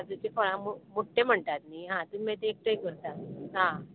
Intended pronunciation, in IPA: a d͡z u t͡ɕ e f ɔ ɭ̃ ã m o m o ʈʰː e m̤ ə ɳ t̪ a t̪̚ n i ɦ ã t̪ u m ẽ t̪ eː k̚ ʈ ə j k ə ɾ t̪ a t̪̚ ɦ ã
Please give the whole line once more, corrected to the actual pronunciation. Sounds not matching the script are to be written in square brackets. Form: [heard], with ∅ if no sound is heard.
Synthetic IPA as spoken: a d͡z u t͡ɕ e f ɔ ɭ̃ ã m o m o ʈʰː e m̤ ə ɳ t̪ a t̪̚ n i ɦ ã t̪ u m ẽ t̪ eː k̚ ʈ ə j k ə ɾ t̪ a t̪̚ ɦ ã